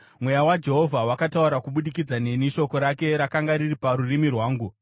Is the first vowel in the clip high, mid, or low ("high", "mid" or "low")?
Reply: mid